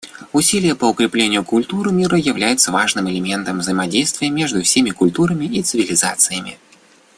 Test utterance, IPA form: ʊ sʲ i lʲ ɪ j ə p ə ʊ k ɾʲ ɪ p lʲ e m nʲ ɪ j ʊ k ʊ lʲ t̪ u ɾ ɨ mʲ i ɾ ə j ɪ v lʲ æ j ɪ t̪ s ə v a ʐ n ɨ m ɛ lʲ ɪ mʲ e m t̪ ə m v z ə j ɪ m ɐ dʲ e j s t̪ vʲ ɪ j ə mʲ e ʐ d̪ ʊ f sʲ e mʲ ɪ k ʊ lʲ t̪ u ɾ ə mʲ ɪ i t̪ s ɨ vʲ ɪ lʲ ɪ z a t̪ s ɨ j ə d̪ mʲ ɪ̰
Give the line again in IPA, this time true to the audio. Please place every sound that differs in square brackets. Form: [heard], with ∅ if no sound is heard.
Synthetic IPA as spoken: ʊ sʲ i lʲ ɪ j ə p ə ʊ k ɾʲ ɪ p lʲ e [∅] nʲ ɪ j ʊ k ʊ lʲ t̪ u ɾ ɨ mʲ i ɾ ə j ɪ v lʲ æ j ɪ t̪ s ə v a ʐ n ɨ m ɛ lʲ ɪ mʲ e [n] t̪ ə m v z ə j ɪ m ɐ dʲ e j s t̪ vʲ ɪ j ə mʲ e ʐ d̪ ʊ f sʲ e mʲ ɪ k ʊ lʲ t̪ u ɾ ə mʲ ɪ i t̪ s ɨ vʲ ɪ lʲ ɪ z a t̪ s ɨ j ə [∅] mʲ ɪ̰